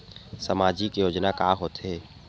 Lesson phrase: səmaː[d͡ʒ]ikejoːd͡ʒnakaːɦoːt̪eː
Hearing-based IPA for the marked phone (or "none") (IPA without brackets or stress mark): d͡ʒ